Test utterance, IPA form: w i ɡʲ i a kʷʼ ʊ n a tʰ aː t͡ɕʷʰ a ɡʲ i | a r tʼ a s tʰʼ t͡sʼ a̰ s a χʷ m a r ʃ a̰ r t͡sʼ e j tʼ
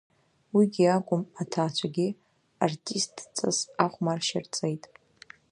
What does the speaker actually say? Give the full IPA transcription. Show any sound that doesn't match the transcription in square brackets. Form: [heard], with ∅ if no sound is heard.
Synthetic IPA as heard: w i ɡʲ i a kʷʼ ʊ [m] a tʰ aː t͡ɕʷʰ a ɡʲ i | a r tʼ [i] s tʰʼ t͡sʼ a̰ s a χʷ m a r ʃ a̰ r t͡sʼ e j tʼ